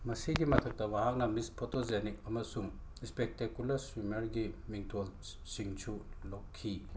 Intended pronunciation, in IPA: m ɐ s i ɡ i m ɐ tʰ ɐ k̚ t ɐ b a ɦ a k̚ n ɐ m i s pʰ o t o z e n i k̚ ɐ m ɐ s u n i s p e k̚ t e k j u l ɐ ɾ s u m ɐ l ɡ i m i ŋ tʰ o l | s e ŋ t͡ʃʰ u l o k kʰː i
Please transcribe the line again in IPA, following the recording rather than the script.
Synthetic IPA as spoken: m ɐ s i ɡ i m ɐ tʰ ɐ k̚ t ɐ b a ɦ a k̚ n ɐ m i s pʰ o t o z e n i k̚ ɐ m ɐ s u ŋ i s p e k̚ t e k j u l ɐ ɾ s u m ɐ ɾ ɡ i m i ŋ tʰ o l | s i ŋ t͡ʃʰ u l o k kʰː i